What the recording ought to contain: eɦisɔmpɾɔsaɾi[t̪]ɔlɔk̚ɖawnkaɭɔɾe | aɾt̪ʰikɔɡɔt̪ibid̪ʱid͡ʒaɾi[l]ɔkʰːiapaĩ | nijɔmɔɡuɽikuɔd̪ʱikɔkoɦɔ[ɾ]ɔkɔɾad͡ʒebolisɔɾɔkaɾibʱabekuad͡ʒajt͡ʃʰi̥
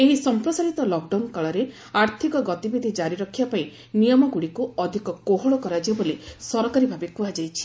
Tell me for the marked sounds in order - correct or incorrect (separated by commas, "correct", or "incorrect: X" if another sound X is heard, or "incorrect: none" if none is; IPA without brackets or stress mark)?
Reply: correct, incorrect: ɾ, incorrect: ɭ